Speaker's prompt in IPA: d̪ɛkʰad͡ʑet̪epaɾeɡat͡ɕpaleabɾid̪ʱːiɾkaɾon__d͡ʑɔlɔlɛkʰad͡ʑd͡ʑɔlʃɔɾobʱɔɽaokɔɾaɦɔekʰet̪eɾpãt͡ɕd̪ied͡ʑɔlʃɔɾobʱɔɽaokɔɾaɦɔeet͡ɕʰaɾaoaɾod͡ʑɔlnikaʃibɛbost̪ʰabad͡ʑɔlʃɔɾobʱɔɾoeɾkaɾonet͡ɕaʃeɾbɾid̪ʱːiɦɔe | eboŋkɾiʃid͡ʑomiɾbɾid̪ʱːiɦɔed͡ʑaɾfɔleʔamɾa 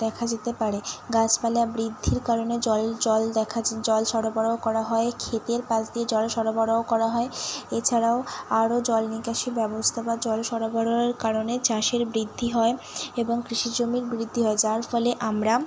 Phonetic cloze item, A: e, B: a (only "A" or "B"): A